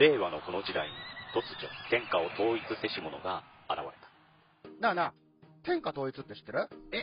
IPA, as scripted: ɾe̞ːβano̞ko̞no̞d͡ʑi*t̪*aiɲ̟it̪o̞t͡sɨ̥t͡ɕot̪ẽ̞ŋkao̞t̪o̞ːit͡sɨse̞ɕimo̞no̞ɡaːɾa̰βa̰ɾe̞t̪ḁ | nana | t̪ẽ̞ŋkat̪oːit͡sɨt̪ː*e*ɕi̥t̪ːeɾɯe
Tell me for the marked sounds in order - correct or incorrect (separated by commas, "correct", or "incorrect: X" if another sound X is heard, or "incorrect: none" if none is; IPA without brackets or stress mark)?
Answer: incorrect: d̪, correct